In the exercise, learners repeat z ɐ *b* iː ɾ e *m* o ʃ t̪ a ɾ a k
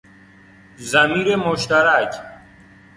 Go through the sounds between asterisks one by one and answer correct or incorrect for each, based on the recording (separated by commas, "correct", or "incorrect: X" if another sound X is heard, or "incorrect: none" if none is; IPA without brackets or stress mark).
incorrect: m, correct